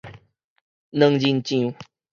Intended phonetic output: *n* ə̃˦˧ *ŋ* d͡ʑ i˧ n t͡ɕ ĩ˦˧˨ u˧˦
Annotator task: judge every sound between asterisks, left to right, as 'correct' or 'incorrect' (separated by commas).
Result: correct, correct